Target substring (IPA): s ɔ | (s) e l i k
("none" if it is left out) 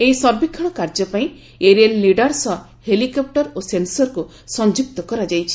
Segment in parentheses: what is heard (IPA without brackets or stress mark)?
h